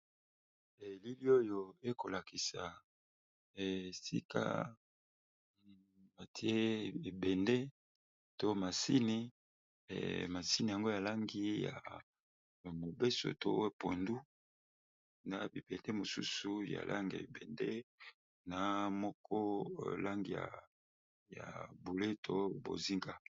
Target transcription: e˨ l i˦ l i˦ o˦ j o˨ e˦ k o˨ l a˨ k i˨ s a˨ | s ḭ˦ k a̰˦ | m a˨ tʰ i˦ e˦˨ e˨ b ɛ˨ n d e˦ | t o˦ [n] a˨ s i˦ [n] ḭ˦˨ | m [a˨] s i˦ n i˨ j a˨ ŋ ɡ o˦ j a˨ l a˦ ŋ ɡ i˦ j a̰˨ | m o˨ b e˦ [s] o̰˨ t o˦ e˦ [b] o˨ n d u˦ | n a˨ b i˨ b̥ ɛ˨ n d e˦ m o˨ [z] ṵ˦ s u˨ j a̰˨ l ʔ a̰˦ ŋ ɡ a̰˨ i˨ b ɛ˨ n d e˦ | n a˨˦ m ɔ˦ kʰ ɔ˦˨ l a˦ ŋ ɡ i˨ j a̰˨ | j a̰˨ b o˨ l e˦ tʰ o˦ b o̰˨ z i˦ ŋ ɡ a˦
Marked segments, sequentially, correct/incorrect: incorrect: m, correct, correct, correct, incorrect: p, incorrect: s

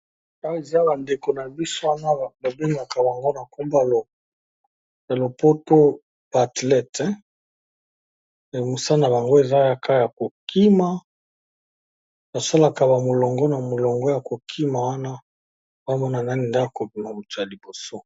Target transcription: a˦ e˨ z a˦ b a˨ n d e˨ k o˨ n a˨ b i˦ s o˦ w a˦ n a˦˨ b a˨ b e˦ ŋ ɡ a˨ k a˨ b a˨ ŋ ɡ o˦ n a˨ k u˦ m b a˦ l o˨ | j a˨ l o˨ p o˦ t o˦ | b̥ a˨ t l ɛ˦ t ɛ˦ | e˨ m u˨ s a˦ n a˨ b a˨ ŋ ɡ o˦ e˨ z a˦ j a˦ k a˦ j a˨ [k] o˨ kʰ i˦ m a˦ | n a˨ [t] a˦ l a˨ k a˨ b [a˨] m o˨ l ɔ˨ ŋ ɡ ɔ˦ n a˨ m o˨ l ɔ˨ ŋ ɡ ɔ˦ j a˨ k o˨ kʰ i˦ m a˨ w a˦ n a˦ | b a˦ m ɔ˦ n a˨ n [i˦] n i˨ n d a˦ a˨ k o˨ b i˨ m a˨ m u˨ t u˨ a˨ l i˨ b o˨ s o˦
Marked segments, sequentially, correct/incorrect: correct, incorrect: s, correct, incorrect: a˦

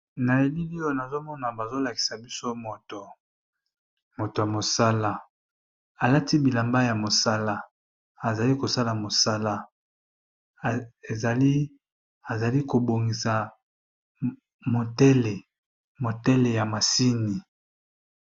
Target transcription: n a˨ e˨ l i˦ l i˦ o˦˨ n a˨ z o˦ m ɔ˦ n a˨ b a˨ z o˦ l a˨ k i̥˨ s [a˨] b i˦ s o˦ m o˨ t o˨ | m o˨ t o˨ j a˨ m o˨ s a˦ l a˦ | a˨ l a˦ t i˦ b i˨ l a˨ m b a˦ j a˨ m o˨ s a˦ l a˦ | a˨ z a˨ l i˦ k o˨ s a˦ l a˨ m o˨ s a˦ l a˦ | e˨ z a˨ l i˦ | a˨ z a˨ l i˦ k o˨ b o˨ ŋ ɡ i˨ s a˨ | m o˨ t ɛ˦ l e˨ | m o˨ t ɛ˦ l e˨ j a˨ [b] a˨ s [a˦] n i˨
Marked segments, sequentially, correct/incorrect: correct, incorrect: m, incorrect: i˦

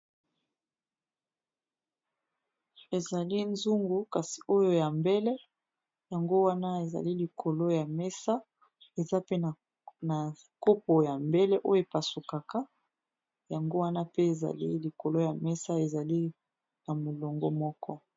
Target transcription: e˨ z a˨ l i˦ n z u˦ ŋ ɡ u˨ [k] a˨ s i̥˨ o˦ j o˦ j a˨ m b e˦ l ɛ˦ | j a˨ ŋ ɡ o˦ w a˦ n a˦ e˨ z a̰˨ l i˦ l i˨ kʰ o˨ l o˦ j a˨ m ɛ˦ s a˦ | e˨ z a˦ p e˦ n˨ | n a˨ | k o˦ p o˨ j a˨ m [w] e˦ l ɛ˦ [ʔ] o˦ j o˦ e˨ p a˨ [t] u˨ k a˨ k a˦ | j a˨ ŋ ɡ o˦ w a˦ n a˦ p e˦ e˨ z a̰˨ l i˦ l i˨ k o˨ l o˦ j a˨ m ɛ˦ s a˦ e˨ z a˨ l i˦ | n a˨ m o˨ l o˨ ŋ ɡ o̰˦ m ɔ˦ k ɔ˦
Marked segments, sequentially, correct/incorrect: correct, incorrect: b, correct, incorrect: s

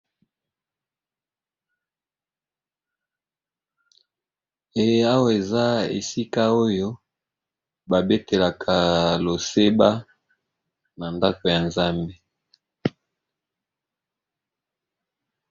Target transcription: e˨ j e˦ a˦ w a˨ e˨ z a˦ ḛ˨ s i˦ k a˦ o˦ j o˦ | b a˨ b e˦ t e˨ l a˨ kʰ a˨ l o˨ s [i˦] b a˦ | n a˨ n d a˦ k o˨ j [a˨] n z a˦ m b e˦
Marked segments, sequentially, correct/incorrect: incorrect: e˦, correct

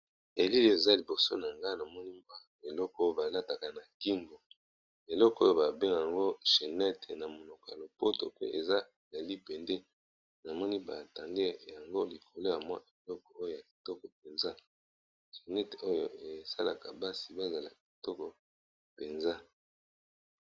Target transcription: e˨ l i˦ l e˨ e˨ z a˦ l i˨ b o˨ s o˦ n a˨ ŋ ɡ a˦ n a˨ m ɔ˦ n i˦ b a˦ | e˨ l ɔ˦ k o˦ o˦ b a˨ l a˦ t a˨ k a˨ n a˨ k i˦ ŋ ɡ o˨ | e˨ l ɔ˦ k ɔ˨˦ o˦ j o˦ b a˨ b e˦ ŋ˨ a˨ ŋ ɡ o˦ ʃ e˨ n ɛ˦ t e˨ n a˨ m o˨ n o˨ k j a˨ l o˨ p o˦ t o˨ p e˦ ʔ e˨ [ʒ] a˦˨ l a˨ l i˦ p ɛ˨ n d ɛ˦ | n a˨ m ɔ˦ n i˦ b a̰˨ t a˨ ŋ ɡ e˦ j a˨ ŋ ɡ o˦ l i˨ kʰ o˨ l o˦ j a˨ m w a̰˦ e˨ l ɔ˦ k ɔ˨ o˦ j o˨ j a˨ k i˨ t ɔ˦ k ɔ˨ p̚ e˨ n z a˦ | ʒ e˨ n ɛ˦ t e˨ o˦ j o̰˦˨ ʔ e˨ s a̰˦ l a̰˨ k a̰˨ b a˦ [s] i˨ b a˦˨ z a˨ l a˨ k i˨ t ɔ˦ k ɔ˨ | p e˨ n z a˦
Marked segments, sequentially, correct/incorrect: incorrect: z, correct

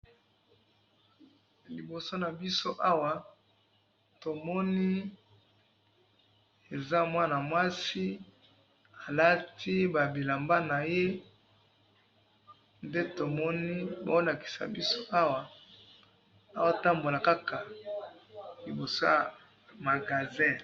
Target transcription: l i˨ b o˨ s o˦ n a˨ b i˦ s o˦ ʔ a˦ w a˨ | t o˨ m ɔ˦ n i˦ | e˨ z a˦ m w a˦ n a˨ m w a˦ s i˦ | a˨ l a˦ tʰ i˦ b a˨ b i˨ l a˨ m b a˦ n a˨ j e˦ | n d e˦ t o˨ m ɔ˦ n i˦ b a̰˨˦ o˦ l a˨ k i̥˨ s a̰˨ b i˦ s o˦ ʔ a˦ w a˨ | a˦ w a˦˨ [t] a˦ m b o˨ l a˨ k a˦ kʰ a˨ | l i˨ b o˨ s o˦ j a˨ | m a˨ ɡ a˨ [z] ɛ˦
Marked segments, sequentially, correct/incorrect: correct, correct

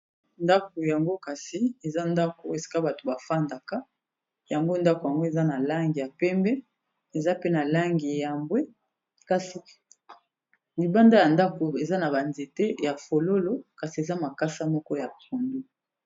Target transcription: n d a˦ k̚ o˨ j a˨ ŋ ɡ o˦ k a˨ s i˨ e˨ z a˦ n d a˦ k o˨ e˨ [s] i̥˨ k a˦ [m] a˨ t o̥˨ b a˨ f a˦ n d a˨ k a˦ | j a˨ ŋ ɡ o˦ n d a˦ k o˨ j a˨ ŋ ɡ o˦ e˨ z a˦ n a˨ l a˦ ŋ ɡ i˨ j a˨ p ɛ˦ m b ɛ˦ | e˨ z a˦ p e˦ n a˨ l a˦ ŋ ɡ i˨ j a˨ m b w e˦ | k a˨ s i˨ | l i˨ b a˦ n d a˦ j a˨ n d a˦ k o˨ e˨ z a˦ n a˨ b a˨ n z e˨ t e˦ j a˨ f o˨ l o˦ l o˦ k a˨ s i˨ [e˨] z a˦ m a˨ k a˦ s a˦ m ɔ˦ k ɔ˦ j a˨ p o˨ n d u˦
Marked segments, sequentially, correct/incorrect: correct, incorrect: b, correct

